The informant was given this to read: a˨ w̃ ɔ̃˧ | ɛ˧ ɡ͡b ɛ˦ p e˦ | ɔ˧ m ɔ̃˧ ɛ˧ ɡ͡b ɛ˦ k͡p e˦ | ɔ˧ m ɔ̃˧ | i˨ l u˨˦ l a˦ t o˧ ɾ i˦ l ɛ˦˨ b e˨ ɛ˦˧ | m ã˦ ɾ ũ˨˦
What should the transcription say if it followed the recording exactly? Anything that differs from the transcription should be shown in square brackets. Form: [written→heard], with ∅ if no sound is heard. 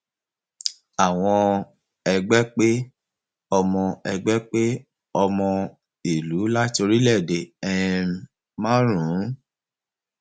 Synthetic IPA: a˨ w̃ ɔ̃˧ | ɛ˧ ɡ͡b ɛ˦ [p→k͡p] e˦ | ɔ˧ m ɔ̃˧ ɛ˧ ɡ͡b ɛ˦ k͡p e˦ | ɔ˧ m ɔ̃˧ | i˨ l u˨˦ l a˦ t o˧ ɾ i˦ l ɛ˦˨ [b→d] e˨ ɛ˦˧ | m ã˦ ɾ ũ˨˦